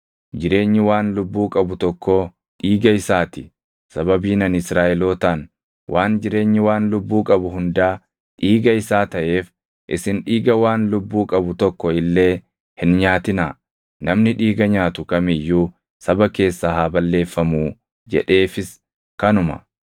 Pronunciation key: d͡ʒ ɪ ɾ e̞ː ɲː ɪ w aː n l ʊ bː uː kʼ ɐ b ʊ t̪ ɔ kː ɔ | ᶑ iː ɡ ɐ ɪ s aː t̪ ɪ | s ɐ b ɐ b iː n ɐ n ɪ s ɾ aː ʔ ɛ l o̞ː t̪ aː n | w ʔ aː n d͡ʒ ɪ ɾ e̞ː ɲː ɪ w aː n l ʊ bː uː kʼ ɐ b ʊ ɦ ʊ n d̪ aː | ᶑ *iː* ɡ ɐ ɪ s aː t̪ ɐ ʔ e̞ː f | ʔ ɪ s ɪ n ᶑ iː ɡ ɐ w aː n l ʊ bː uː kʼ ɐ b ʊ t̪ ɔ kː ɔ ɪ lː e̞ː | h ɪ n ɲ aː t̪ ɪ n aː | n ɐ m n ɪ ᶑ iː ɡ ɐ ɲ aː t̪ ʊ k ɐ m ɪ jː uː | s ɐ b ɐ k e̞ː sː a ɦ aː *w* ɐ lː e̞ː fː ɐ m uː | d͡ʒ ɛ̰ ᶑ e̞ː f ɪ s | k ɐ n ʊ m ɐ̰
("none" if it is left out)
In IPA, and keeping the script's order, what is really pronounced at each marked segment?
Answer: iː, b

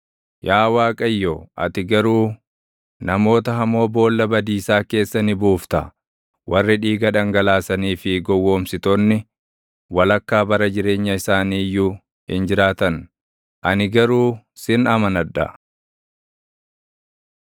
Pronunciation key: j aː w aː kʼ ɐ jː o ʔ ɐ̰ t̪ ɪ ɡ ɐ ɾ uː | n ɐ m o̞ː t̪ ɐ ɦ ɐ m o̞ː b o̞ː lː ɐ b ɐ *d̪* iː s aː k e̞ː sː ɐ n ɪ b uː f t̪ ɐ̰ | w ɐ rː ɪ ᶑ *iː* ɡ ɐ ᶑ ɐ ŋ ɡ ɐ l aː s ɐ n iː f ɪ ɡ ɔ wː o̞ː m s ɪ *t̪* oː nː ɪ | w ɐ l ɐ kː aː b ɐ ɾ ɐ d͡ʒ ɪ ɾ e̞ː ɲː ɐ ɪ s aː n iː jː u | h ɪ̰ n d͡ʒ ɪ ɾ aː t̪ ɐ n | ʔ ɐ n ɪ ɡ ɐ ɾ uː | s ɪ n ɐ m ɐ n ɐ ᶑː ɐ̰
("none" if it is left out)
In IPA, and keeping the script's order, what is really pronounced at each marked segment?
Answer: d̪, iː, t̪

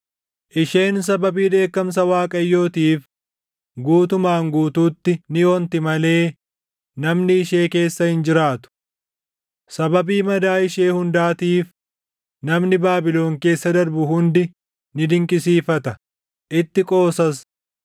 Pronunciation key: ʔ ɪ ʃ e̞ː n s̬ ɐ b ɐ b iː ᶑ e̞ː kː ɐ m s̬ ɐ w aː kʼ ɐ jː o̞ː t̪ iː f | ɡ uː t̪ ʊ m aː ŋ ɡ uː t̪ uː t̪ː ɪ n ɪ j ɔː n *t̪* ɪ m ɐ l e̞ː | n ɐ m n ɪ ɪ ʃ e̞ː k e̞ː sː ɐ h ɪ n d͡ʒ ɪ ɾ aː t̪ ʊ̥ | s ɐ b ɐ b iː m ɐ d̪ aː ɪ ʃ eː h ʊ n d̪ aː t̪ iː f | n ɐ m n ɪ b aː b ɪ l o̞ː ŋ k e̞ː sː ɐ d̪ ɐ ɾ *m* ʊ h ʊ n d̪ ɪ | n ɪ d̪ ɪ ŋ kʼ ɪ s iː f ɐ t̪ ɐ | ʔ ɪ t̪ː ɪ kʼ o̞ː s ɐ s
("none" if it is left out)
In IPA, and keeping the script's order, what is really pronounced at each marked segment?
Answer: t̪, b

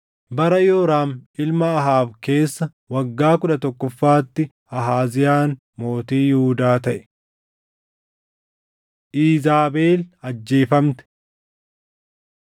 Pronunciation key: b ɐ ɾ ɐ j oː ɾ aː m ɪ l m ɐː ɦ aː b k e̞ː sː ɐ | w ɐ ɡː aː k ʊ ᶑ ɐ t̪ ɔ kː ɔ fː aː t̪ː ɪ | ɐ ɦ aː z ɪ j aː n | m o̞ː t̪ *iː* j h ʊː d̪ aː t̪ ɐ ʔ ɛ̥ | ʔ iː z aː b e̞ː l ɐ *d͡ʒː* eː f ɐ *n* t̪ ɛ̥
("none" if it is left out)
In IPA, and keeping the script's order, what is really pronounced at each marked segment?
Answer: iː, d͡ʒː, m

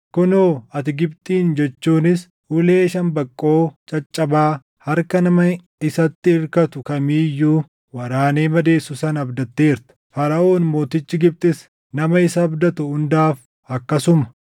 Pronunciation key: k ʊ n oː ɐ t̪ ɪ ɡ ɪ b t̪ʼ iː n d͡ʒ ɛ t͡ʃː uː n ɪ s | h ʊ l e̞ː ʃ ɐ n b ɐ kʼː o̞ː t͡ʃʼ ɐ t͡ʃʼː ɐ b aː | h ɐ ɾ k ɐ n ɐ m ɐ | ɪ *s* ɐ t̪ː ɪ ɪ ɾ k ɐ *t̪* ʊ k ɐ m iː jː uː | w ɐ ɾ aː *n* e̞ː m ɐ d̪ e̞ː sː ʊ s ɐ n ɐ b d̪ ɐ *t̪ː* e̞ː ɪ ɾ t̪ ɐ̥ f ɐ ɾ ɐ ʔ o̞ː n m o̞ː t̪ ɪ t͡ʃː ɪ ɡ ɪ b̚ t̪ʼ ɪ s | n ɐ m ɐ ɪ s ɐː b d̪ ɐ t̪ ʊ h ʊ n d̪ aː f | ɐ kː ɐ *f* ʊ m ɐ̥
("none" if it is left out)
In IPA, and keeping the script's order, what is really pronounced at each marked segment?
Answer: s, t̪, n, t̪ː, s

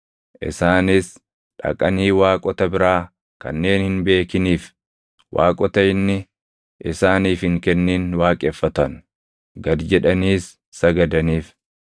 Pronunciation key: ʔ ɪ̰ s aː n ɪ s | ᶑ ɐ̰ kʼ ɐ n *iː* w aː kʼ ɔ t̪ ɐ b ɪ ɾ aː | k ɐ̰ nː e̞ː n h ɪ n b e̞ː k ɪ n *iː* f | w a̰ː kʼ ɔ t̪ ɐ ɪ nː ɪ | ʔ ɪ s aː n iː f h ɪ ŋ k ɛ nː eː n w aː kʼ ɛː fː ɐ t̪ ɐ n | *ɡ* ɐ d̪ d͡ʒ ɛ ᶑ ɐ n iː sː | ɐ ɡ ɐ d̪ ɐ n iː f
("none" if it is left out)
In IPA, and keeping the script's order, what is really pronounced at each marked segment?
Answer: iː, iː, ɡ

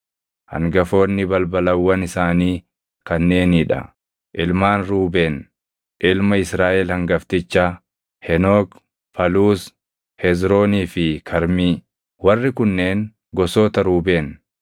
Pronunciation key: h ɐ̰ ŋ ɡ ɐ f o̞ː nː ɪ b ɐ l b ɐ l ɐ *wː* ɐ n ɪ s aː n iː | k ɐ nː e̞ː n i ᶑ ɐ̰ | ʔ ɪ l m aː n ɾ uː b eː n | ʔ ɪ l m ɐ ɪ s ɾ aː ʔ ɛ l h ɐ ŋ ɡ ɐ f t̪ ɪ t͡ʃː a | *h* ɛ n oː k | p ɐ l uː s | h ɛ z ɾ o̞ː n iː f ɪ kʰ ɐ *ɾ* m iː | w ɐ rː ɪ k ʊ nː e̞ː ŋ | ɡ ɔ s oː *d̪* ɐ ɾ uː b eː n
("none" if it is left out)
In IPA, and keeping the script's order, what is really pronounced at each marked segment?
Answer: wː, h, ɾ, t̪

